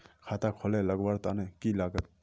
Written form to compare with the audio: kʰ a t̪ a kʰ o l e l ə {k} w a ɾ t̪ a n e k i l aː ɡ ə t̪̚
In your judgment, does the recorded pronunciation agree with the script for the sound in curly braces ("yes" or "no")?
no